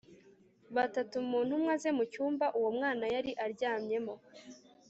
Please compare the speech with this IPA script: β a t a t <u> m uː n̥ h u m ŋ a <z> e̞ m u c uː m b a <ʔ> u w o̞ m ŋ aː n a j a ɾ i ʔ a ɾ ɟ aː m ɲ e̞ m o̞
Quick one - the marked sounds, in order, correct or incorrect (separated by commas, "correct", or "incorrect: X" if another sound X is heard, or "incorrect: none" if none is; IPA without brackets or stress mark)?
correct, correct, correct